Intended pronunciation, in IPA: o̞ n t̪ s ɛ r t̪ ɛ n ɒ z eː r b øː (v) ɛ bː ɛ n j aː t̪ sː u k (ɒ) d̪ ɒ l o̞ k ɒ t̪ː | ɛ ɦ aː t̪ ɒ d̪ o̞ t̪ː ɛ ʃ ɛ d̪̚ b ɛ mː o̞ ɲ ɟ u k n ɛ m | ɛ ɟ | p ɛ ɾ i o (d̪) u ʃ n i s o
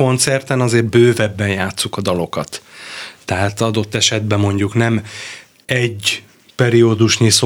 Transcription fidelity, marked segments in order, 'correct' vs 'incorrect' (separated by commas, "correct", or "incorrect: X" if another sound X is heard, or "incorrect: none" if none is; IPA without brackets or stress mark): correct, correct, correct